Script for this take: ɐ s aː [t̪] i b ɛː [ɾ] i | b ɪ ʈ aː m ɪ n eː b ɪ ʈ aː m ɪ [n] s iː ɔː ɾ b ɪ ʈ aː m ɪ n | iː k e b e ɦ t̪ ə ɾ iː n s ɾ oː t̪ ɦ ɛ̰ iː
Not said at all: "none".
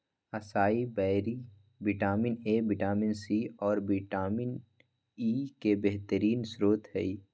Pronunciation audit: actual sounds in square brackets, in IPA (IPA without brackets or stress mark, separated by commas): none, ɾ, n